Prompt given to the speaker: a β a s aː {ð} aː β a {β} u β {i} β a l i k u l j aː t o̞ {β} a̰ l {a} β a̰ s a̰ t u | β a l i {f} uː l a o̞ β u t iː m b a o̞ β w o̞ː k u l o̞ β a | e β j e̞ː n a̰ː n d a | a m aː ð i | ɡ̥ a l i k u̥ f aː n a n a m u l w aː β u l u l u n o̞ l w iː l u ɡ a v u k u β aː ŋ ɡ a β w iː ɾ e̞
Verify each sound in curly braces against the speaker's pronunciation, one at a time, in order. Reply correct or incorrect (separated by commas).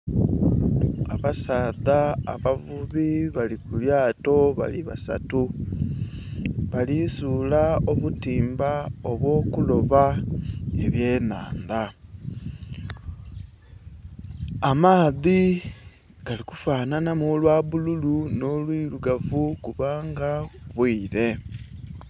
correct, incorrect, correct, correct, incorrect, incorrect